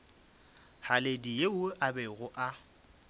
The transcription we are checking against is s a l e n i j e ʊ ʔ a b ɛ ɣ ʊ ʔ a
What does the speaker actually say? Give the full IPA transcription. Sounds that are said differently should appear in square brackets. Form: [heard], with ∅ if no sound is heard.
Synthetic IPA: [h] a l e [d] i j e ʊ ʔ a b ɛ ɣ ʊ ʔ a